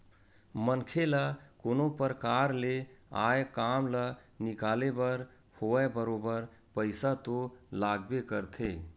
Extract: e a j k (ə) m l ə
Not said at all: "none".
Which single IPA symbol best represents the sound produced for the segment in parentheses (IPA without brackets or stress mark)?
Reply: a